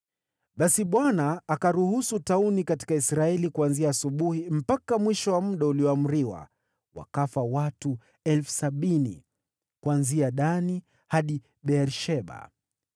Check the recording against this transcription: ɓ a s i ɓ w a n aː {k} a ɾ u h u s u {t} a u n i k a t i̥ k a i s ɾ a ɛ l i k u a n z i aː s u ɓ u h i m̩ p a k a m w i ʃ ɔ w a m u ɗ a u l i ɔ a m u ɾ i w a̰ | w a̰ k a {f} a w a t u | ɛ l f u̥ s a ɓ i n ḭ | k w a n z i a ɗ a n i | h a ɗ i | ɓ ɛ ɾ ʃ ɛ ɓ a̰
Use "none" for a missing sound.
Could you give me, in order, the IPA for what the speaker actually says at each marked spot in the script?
k, t, f

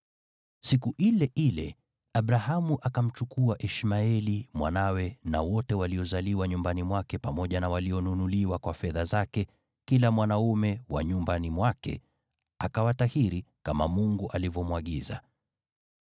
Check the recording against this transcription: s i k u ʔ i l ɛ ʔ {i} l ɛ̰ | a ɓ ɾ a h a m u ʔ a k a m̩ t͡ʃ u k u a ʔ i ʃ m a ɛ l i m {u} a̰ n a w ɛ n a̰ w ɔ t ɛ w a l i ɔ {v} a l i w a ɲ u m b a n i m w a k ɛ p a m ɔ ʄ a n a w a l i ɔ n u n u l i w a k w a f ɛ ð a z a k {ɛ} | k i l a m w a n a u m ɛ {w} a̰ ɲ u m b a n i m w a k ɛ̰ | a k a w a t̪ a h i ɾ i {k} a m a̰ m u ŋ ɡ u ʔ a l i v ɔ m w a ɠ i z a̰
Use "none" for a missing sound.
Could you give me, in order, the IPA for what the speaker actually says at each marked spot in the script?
i, w, z, ɛ, w, k

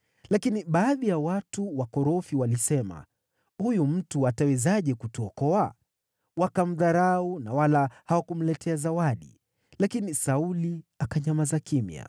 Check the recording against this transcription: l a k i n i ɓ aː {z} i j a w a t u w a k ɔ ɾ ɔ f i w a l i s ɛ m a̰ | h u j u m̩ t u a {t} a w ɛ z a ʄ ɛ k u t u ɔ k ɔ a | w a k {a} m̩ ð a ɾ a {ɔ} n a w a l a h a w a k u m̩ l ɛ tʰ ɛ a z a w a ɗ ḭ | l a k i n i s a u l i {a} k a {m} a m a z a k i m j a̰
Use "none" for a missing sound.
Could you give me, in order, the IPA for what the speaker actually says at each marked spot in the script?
ð, t, a, u, a, ɲ

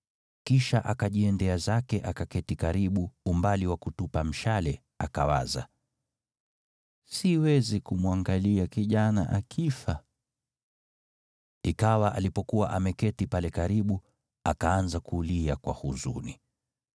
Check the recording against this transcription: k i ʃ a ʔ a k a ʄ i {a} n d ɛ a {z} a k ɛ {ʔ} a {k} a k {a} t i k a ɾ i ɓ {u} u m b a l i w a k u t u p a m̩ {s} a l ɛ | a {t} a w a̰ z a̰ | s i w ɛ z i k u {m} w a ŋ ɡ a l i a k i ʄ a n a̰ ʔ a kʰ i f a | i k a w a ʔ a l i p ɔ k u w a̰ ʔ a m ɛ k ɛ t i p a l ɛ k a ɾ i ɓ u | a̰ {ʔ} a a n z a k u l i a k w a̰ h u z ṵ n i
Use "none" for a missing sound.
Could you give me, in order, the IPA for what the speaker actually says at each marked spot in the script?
ɛ, z, ʔ, k, ɛ, u, ʃ, k, m, k

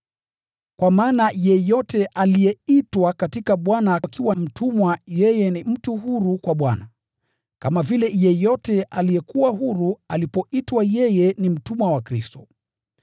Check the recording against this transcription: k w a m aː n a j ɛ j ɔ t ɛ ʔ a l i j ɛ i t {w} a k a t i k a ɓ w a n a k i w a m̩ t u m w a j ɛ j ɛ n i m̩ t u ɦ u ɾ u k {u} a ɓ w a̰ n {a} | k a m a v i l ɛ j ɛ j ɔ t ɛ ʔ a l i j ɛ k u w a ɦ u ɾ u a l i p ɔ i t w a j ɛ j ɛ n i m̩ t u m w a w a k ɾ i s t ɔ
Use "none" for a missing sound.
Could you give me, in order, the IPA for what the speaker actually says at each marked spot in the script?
w, w, a

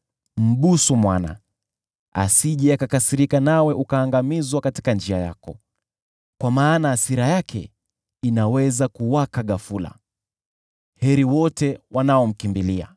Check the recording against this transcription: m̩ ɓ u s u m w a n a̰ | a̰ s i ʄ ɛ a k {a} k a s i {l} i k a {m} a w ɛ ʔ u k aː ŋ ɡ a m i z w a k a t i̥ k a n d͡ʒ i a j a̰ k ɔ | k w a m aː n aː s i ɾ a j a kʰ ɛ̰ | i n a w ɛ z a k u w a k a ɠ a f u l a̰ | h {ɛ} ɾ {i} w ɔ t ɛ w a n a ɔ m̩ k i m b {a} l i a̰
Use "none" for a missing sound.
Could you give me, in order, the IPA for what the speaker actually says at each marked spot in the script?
a, ɾ, n, ɛ, i, i

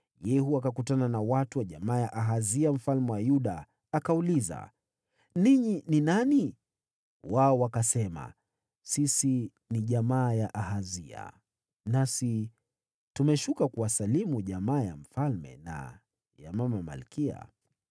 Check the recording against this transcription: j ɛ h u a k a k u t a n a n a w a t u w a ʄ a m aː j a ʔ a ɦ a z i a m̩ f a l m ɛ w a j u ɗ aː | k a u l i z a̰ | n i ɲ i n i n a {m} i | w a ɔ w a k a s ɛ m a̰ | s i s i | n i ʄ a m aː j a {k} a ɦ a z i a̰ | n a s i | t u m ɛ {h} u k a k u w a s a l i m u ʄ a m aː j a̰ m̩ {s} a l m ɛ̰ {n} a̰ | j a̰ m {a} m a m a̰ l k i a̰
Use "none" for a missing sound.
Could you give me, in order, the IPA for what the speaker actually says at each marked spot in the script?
n, ʔ, ʃ, f, n, a

